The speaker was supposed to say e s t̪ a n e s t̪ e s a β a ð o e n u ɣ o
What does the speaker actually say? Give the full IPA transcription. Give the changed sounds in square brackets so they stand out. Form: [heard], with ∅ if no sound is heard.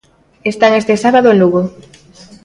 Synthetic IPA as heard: e s t̪ a [ŋ] e s t̪ e s a β a ð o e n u ɣ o